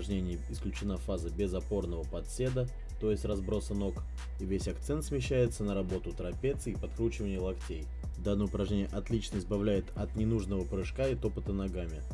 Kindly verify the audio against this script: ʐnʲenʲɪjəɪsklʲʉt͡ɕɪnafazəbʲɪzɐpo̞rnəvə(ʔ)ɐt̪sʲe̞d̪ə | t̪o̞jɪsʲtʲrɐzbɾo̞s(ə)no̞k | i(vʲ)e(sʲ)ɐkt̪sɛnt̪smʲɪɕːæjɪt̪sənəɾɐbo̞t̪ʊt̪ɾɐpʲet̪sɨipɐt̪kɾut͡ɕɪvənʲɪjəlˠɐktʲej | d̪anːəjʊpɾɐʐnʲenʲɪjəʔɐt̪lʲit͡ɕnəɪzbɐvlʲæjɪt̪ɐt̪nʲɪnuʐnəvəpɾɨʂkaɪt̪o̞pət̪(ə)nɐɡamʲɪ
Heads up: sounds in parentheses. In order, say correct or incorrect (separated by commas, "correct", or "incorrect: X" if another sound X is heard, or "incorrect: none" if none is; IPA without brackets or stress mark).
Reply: incorrect: p, correct, correct, correct, correct